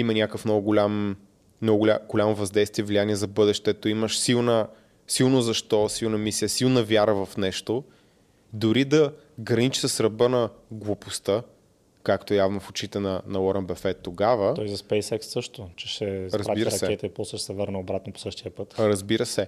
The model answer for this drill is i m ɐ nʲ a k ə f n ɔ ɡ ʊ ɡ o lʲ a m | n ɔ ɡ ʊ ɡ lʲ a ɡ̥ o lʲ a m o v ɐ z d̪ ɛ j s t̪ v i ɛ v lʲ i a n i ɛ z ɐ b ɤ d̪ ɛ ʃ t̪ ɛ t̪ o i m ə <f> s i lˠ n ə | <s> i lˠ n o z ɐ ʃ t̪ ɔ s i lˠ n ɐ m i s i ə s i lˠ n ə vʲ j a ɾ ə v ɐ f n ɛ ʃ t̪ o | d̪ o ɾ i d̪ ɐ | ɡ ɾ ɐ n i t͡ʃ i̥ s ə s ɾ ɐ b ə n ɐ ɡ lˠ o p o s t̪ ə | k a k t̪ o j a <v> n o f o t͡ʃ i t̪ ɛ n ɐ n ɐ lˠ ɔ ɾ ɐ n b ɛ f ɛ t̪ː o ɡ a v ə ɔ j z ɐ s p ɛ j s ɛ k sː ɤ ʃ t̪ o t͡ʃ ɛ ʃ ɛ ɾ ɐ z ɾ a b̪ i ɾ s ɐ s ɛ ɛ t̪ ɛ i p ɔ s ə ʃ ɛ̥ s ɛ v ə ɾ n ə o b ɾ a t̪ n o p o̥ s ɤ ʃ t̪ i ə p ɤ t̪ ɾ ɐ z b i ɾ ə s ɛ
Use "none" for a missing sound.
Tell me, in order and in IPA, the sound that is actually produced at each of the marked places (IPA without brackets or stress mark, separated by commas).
ʃ, s, v